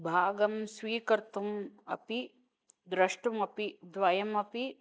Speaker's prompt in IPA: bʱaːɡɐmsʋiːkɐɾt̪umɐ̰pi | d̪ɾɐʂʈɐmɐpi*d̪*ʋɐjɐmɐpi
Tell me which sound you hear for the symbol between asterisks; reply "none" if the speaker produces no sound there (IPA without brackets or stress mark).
d̪